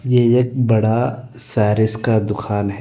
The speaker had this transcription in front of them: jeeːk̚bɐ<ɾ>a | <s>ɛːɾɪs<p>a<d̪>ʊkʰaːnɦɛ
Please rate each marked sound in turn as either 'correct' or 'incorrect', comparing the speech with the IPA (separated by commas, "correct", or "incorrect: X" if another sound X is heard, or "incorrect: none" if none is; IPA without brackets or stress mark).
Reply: incorrect: ɽ, correct, incorrect: k, correct